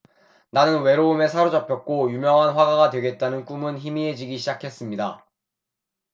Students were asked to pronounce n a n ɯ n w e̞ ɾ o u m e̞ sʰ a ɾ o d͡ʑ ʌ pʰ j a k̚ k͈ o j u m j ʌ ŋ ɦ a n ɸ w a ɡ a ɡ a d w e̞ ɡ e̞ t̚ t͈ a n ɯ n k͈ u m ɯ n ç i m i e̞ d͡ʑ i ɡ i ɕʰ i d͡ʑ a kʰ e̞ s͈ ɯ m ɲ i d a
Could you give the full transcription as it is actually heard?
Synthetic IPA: n a n ɯ n w e̞ ɾ o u m e̞ sʰ a ɾ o d͡ʑ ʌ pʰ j ʌ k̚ k͈ o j u m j ʌ ŋ ɦ a n ɸ w a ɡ a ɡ a d w e̞ ɡ e̞ t̚ t͈ a n ɯ n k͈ u m ɯ n ç i m i e̞ d͡ʑ i ɡ i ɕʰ i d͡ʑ a kʰ e̞ s͈ ɯ m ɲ i d a